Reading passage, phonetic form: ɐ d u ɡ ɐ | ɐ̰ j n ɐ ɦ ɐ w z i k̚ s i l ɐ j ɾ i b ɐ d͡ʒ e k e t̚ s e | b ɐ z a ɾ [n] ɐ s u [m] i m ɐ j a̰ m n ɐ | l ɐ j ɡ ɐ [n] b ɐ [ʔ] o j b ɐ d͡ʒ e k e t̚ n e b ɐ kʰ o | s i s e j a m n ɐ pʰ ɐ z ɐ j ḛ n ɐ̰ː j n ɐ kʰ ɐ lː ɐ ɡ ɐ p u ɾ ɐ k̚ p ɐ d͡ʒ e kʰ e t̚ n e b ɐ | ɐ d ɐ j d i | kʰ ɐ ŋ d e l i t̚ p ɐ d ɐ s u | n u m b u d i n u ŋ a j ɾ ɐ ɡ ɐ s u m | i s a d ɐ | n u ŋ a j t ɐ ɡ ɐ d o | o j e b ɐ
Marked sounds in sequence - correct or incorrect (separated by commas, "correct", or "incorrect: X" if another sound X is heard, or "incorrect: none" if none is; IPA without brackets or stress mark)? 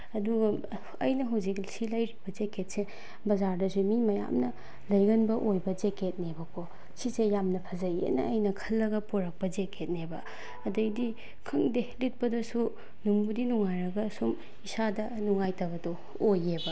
incorrect: d, correct, correct, correct